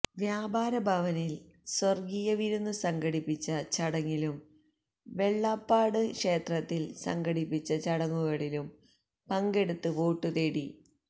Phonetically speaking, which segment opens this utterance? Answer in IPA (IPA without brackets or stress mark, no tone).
ʋ